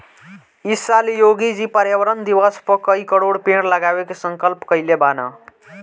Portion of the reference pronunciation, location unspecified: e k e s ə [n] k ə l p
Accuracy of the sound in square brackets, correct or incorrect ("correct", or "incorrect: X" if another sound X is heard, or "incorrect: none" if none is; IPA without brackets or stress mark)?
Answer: incorrect: ŋ